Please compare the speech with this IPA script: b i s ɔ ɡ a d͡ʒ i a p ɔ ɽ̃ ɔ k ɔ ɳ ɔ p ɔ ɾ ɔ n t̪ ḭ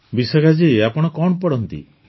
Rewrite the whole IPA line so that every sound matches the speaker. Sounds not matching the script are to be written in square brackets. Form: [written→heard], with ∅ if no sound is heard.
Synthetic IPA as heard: b i s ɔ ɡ a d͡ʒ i a p ɔ ɽ̃ ɔ k ɔ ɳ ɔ p ɔ [ɾ→ɽ] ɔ n t̪ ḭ